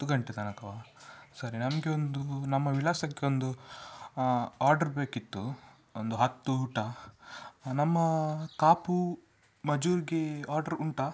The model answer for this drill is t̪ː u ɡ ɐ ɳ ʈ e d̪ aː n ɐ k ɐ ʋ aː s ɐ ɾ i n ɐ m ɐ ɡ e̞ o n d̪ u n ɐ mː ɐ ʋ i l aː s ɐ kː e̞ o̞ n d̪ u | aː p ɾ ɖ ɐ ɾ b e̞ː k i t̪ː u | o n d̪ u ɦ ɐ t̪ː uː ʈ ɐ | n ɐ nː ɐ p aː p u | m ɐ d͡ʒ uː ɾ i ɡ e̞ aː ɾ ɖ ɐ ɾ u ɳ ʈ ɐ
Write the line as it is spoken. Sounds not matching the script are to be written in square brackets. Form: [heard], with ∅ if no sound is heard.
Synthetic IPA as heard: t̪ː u ɡ ɐ ɳ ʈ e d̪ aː n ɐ k ɐ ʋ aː s ɐ ɾ i n ɐ m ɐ ɡ e̞ o n d̪ u n ɐ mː ɐ ʋ i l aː s ɐ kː e̞ o̞ n d̪ u | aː [∅] ɾ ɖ ɐ ɾ b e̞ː k i t̪ː u | o n d̪ u ɦ ɐ t̪ː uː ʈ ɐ | n ɐ [mː] ɐ [k] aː p u | m ɐ d͡ʒ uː ɾ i ɡ e̞ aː ɾ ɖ ɐ ɾ u ɳ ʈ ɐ

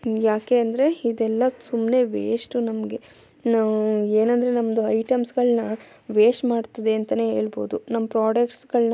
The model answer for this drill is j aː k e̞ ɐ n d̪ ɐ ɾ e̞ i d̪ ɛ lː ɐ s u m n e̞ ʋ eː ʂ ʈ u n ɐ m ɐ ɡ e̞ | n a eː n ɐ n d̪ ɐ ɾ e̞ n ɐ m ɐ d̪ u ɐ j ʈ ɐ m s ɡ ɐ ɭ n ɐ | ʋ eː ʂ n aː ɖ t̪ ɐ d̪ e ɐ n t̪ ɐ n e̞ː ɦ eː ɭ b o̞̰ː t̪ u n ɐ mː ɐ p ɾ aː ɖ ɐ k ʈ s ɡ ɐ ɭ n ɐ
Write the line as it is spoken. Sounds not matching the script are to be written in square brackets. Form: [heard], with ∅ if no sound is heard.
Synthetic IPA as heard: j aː k e̞ ɐ n d̪ ɐ ɾ e̞ i d̪ ɛ lː ɐ s u m n e̞ ʋ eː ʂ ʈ u n ɐ m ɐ ɡ e̞ | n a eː n ɐ n d̪ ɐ ɾ e̞ n ɐ m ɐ d̪ u ɐ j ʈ ɐ m s ɡ ɐ ɭ n ɐ | ʋ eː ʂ [m] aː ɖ t̪ ɐ d̪ e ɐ n t̪ ɐ n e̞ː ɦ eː ɭ b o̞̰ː [d̪] u n ɐ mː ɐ p ɾ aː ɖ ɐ k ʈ s ɡ ɐ ɭ n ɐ

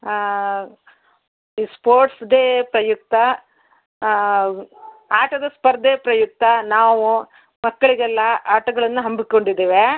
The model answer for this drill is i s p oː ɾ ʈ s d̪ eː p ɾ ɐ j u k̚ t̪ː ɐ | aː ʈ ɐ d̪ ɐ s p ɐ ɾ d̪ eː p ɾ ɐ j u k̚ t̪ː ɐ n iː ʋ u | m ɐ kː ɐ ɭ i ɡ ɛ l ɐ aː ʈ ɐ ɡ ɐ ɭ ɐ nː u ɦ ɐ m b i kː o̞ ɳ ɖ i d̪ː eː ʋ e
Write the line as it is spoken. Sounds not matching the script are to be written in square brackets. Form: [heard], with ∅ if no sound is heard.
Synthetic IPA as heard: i s p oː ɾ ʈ s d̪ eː p ɾ ɐ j u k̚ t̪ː ɐ | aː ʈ ɐ d̪ ɐ s p ɐ ɾ d̪ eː p ɾ ɐ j u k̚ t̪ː ɐ n [aː] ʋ u | m ɐ kː ɐ ɭ i ɡ ɛ [lː] ɐ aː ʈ ɐ ɡ ɐ ɭ ɐ nː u ɦ ɐ m b i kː o̞ ɳ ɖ i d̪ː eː ʋ e

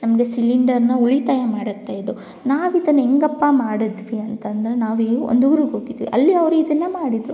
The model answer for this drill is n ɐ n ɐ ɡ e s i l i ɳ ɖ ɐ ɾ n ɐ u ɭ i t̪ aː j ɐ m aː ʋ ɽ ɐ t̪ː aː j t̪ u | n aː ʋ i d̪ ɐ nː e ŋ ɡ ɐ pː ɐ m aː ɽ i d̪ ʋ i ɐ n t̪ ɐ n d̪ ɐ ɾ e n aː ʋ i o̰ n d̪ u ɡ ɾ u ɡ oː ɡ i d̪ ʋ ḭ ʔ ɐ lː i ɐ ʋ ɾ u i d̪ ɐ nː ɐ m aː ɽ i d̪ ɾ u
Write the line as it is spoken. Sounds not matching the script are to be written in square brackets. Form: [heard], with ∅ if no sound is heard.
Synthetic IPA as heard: n ɐ [m] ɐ ɡ e s i l i ɳ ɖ ɐ ɾ n ɐ u ɭ i t̪ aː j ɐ m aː [∅] ɽ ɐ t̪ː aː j [d̪] u | n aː ʋ i d̪ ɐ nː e ŋ ɡ ɐ pː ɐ m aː ɽ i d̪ ʋ i ɐ n t̪ ɐ n d̪ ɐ ɾ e n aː ʋ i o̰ n d̪ u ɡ ɾ u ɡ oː ɡ i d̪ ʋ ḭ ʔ ɐ lː i ɐ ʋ ɾ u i d̪ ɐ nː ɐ m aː ɽ i d̪ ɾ u

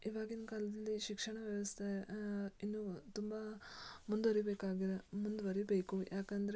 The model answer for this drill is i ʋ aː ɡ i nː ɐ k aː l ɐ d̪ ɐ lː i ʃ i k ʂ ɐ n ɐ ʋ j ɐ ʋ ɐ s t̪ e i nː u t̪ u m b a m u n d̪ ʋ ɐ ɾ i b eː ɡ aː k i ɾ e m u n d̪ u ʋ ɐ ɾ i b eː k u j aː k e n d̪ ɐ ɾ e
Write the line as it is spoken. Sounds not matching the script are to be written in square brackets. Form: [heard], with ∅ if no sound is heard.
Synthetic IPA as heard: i ʋ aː ɡ i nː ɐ k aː l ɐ d̪ ɐ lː i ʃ i k ʂ ɐ [ɳ] ɐ ʋ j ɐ ʋ ɐ s [t̪ʰ] e i nː u t̪ u m b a m u n d̪ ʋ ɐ ɾ i b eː [k] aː [ɡ] i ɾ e m u n d̪ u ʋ ɐ ɾ i b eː k u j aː k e n d̪ ɐ ɾ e

